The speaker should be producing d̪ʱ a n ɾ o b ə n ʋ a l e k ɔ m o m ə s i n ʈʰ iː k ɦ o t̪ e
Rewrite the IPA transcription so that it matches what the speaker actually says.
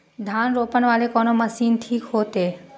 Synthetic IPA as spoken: d̪ʱ a n ɾ o p ə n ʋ a l e k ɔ n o m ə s i n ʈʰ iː k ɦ o t̪ e